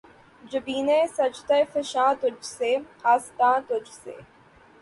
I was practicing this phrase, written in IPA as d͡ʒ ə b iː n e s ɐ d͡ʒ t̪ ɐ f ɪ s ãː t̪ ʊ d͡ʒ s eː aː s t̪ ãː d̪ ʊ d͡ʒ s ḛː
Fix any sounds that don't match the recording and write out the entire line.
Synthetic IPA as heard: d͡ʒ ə b iː n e s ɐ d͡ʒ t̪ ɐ f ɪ ʃ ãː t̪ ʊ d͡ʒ s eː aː s t̪ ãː t̪ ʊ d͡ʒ s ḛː